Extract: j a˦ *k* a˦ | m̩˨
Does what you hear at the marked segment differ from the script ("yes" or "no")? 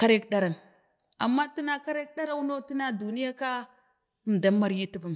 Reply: no